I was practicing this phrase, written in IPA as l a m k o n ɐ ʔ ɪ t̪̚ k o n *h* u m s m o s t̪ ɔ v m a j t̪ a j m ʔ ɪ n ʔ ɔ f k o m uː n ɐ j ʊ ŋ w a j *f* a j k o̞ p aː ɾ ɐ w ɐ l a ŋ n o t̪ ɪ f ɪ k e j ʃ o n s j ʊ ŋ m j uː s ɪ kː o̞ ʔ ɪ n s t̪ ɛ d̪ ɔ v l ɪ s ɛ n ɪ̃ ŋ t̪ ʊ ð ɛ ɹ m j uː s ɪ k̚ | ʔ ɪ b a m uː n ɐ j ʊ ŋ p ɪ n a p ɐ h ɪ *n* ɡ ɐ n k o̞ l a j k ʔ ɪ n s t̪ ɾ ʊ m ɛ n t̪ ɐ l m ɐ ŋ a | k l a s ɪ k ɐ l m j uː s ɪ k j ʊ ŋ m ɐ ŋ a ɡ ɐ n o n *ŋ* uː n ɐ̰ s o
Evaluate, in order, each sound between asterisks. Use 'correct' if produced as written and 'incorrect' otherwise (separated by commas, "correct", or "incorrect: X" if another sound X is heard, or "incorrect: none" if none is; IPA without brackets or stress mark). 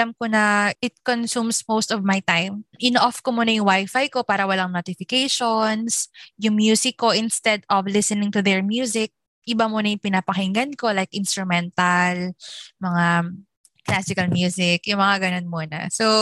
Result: incorrect: s, correct, incorrect: ŋ, incorrect: m